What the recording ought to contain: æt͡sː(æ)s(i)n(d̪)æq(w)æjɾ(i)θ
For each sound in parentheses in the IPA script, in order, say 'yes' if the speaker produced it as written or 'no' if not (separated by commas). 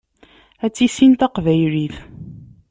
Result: no, yes, no, no, yes